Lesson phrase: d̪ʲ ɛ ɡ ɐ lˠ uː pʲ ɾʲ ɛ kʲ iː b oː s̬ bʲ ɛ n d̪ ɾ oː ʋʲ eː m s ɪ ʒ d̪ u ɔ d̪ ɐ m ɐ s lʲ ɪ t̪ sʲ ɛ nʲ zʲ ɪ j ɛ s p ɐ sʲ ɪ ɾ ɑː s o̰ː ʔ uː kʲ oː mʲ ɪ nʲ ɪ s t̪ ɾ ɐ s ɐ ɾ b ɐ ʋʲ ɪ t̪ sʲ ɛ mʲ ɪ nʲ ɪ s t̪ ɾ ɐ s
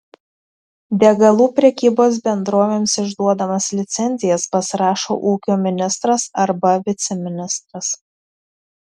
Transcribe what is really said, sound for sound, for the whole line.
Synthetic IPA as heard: d̪ʲ ɛ ɡ ɐ lˠ uː pʲ ɾʲ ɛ kʲ iː b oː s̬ bʲ ɛ n d̪ ɾ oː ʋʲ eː m s ɪ ʒ d̪ u ɔ d̪ ɐ m ɐ s lʲ ɪ t̪ sʲ ɛ nʲ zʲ ɪ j ɛ s p ɐ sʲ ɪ ɾ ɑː ʃ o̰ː ʔ uː kʲ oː mʲ ɪ nʲ ɪ s t̪ ɾ ɐ s ɐ ɾ b ɐ ʋʲ ɪ t̪ sʲ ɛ mʲ ɪ nʲ ɪ s t̪ ɾ ɐ s

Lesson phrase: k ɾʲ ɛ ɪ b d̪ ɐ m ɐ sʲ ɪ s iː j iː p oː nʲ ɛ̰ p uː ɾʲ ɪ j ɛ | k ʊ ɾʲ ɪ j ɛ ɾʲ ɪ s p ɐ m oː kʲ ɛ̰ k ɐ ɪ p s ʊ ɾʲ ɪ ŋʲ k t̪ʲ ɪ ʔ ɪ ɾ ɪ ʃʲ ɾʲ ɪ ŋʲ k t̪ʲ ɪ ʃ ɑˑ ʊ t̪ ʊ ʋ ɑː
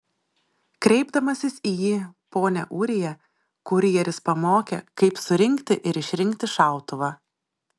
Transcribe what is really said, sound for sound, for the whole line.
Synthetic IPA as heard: k ɾʲ ɛ ɪ b d̪ ɐ m ɐ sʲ ɪ s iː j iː p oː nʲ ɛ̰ ʔ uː ɾʲ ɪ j ɛ | k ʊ ɾʲ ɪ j ɛ ɾʲ ɪ s p ɐ m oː kʲ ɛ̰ k ɐ ɪ p s ʊ ɾʲ ɪ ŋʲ k t̪ʲ ɪ ʔ ɪ ɾ ɪ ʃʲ ɾʲ ɪ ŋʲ k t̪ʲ ɪ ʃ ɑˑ ʊ t̪ ʊ ʋ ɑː

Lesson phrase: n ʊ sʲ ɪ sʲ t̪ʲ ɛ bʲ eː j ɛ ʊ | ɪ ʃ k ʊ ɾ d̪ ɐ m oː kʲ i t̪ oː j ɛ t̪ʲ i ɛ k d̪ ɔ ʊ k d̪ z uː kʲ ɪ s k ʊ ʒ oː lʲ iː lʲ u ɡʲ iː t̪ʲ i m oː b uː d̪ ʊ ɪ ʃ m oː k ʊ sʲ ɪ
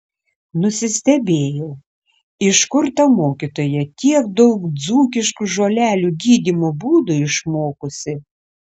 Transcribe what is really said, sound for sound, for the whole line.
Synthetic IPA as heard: n ʊ sʲ ɪ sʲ t̪ʲ ɛ bʲ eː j ɛ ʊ | ɪ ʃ k ʊ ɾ t̪ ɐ m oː kʲ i t̪ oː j ɛ t̪ʲ i ɛ k d̪ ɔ ʊ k d̪ z uː kʲ ɪ ʃ k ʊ ʒ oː lʲ æː lʲ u ɡʲ iː d̪ʲ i m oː b uː d̪ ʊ ɪ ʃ m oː k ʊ sʲ ɪ

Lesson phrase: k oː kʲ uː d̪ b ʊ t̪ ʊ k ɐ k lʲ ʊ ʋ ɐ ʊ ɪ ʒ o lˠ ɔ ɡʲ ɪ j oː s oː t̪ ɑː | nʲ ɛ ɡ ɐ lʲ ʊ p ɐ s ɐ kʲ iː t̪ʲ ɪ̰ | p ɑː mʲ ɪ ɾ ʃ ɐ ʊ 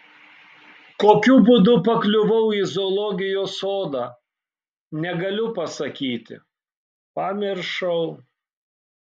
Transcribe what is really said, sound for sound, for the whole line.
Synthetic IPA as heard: k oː kʲ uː b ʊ d̪ ʊ p ɐ k lʲ ʊ ʋ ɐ ʊ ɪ z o lˠ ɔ ɡʲ ɪ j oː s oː d̪ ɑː | nʲ ɛ ɡ ɐ lʲ ʊ p ɐ s ɐ kʲ iː t̪ʲ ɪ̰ | p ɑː mʲ ɪ ɾ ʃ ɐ ʊ

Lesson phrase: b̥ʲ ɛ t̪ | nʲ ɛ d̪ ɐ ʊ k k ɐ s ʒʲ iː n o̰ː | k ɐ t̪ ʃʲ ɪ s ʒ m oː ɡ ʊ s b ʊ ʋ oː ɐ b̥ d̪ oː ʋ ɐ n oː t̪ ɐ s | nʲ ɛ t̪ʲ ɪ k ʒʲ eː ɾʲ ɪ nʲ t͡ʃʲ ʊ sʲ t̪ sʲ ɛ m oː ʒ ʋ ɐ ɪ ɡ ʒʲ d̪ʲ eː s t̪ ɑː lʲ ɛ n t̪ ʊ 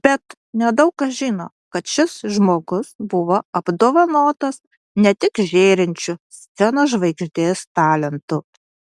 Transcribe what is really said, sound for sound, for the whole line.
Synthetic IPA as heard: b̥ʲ ɛ t̪ | nʲ ɛ d̪ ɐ ʊ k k ɐ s ʒʲ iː n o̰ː | k ɐ t̪ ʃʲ ɪ s ʒ m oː ɡ ʊ s b ʊ ʋ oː ɐ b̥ d̪ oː ʋ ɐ n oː t̪ ɐ s | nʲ ɛ t̪ʲ ɪ k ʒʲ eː ɾʲ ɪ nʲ t͡ʃʲ ʊ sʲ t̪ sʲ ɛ n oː ʒ ʋ ɐ ɪ ɡ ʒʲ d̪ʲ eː s t̪ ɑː lʲ ɛ n t̪ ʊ

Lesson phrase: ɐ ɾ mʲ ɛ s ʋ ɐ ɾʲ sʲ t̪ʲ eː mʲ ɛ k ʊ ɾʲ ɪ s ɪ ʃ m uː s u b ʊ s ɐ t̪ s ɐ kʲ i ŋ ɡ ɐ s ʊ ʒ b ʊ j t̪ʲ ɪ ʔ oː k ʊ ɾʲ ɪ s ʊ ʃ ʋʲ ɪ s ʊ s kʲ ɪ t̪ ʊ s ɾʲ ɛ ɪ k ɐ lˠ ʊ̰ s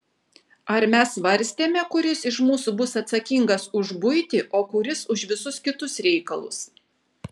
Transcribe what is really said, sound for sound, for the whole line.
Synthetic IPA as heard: ɐ ɾ mʲ ɛ s ʋ ɐ ɾʲ sʲ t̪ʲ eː mʲ ɛ k ʊ ɾʲ ɪ s ɪ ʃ m uː s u b ʊ s ɐ t̪ s ɐ kʲ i ŋ ɡ ɐ s ʊ ʒ b ʊ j t̪ʲ ɪ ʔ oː k ʊ ɾʲ ɪ s ʊ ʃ ʋʲ ɪ s ʊ s kʲ ɪ t̪ ʊ s ɾʲ ɛ ɪ k ɐ lˠ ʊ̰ s

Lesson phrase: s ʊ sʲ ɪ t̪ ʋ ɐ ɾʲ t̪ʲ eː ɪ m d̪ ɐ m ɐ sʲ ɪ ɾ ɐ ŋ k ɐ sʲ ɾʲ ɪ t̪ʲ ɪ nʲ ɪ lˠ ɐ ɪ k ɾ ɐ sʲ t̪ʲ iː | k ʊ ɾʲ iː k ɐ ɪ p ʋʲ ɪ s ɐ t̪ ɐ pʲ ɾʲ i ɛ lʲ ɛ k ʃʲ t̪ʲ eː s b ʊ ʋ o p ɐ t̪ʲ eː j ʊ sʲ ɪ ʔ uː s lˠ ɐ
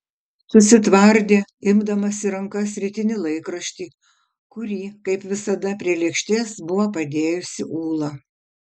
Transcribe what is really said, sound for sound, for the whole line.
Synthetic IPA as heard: s ʊ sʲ ɪ t̪ ʋ ɐ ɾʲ d̪ʲ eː ɪ m d̪ ɐ m ɐ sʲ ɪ ɾ ɐ ŋ k ɐ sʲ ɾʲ ɪ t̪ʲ ɪ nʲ ɪ lˠ ɐ ɪ k ɾ ɐ ʃʲ t̪ʲ iː | k ʊ ɾʲ iː k ɐ ɪ p ʋʲ ɪ s ɐ d̪ ɐ pʲ ɾʲ i ɛ lʲ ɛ k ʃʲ t̪ʲ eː s b ʊ ʋ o p ɐ d̪ʲ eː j ʊ sʲ ɪ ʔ uː lˠ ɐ

